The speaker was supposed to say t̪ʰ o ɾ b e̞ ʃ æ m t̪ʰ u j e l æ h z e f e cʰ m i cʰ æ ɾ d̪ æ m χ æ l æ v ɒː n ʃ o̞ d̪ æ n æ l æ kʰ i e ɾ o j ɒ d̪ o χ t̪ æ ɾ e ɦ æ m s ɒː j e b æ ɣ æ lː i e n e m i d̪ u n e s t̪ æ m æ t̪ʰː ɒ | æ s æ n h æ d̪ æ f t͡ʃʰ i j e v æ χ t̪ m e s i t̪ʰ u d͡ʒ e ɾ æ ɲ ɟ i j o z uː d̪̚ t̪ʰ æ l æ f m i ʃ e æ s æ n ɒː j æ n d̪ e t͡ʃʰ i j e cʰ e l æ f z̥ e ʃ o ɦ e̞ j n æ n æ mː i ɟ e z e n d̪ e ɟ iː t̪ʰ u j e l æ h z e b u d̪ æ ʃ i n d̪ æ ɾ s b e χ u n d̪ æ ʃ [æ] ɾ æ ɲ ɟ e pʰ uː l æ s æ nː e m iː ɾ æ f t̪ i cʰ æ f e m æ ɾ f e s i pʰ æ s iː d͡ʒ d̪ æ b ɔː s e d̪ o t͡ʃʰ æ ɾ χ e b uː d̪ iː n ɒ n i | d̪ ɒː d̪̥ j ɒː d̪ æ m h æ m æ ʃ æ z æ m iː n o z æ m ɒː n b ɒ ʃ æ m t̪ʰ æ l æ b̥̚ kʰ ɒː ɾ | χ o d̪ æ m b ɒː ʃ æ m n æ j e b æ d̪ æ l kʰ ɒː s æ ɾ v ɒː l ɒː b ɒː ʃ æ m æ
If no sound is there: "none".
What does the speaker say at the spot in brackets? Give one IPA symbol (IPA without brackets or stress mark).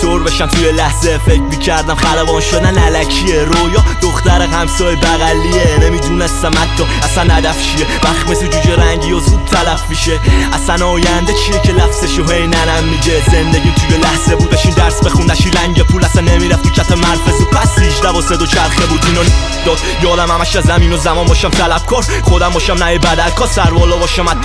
i